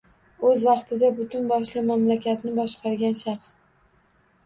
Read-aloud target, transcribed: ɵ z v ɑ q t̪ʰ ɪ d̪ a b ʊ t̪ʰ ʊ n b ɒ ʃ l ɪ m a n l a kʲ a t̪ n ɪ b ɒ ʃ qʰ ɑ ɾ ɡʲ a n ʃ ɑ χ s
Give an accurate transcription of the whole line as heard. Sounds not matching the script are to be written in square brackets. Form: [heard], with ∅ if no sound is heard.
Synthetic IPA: ɵ z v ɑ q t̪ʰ ɪ d̪ a b ʊ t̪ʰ ʊ n b ɒ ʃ l ɪ m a [m] l a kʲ a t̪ n ɪ b ɒ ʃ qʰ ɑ ɾ ɡʲ a n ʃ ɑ χ s